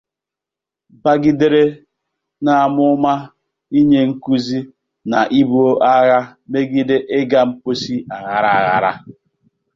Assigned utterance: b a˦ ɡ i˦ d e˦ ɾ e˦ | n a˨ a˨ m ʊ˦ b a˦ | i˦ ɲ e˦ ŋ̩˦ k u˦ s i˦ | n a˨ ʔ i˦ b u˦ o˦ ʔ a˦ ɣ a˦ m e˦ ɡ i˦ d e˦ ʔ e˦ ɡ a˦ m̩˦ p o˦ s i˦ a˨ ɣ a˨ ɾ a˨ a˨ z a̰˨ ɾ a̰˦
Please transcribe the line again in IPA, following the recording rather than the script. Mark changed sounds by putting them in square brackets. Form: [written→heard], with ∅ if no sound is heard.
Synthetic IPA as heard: b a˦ ɡ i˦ d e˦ ɾ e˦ | n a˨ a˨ m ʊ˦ [b→m] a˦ | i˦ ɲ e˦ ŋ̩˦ k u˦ [s→z] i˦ | n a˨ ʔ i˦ b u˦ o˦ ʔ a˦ ɣ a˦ m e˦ ɡ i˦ d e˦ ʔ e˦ ɡ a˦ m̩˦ p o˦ s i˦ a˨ ɣ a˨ ɾ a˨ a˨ [z→ɣ] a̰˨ ɾ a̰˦